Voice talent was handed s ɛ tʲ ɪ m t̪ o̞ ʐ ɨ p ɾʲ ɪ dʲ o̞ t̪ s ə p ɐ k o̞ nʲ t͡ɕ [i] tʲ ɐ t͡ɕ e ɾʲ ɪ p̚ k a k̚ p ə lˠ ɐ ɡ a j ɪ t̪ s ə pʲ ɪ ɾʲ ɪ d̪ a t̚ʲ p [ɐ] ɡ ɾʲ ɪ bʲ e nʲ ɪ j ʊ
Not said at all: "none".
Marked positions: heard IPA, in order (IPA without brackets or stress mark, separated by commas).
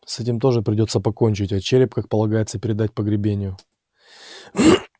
ɪ, ə